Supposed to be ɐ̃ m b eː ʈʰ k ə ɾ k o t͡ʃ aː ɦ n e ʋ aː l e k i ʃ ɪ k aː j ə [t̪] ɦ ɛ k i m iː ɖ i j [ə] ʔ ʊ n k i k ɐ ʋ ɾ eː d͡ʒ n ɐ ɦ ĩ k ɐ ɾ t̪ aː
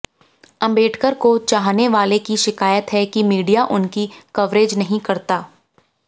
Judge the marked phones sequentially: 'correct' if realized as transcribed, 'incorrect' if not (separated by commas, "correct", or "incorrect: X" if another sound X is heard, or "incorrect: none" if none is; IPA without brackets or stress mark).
correct, incorrect: a